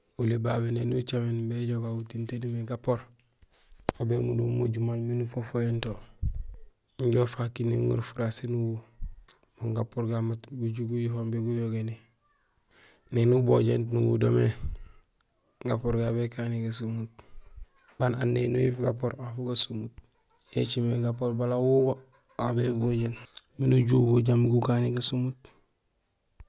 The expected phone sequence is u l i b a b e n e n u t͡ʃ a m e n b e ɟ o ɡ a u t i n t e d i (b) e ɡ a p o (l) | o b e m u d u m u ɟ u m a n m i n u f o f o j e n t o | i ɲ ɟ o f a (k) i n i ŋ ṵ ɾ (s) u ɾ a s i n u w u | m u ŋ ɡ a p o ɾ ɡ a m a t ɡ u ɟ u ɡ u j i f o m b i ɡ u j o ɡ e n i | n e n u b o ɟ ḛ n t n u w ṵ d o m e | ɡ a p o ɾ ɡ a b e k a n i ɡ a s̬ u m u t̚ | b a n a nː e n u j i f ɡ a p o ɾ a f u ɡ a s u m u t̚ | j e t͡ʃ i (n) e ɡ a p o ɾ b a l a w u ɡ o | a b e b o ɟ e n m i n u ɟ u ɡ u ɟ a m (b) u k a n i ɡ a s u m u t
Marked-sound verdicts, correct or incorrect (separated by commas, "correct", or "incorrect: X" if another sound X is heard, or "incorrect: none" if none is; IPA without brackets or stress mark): incorrect: m, incorrect: ɾ, correct, incorrect: f, incorrect: m, incorrect: ɡ